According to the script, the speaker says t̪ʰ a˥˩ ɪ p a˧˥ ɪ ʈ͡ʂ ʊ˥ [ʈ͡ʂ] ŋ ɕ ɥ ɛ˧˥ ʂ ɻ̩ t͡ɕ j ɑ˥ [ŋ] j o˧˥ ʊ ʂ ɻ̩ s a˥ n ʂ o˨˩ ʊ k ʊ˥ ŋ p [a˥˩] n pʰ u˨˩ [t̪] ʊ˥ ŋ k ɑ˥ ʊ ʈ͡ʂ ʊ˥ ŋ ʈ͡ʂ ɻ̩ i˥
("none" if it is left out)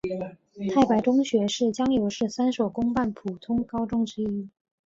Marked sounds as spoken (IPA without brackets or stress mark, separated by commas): none, ŋ, a˥˩, t̪ʰ